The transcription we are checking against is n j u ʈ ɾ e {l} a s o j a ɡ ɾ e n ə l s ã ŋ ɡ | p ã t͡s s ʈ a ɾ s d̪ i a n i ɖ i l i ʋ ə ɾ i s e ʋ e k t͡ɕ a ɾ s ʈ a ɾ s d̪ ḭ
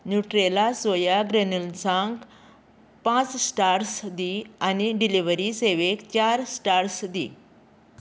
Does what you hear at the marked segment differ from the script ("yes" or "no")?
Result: no